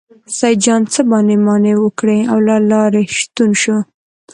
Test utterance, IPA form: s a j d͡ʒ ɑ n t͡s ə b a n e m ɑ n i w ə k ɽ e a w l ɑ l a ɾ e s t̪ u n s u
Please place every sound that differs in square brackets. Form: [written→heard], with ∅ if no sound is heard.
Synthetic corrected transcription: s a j d͡ʒ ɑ n t͡s ə b [a→ɑ] n e m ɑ n [i→e] w ə k ɽ e a w l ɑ l [a→ɑ] ɾ e [s→ʃ] t̪ u n [s→ʃ] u